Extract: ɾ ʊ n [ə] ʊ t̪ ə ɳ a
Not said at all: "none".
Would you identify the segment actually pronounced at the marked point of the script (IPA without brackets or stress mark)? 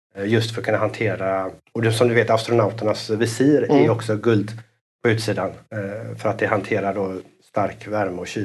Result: a